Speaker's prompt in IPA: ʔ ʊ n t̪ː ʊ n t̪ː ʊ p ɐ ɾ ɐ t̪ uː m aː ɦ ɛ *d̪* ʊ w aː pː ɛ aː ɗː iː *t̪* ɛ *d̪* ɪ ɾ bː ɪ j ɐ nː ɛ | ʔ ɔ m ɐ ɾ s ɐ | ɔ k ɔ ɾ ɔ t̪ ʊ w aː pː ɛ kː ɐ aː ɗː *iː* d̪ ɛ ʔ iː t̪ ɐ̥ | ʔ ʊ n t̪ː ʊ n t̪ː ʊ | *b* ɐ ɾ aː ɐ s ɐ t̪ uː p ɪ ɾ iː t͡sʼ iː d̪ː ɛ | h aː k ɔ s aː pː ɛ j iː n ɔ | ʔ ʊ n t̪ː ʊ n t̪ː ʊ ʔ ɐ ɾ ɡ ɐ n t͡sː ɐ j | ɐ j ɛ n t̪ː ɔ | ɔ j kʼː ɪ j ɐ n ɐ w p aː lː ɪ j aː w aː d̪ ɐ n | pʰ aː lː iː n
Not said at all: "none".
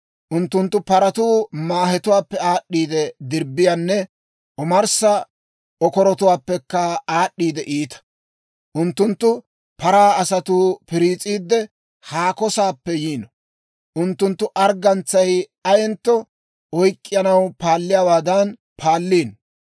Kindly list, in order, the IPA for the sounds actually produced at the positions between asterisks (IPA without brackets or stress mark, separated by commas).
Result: t̪, d̪, d̪, iː, p